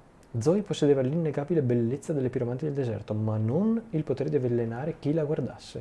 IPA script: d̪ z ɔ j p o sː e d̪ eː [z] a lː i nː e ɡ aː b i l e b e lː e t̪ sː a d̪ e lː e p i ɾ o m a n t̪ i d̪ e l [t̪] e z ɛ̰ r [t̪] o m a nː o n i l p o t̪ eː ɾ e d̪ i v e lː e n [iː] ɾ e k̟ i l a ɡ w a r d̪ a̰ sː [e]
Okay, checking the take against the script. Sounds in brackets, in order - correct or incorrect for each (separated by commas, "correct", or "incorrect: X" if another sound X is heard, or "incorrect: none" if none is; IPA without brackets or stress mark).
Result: incorrect: v, incorrect: d̪, correct, incorrect: aː, correct